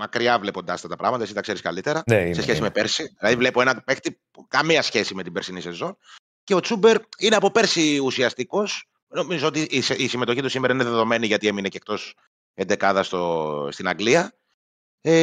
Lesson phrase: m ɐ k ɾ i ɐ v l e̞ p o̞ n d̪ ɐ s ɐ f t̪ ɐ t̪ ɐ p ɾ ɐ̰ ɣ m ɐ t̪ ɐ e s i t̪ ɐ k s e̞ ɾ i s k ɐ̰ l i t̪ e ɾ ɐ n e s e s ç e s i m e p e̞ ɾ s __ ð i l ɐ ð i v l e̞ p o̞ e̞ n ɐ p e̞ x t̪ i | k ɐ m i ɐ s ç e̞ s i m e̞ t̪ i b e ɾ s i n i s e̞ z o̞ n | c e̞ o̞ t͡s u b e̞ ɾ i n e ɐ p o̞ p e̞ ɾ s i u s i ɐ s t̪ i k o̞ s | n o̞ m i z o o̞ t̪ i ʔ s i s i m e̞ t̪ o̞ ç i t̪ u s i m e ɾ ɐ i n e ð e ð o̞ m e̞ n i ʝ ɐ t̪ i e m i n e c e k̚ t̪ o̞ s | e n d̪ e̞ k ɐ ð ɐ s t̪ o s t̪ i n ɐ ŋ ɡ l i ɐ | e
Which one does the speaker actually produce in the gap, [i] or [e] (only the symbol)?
i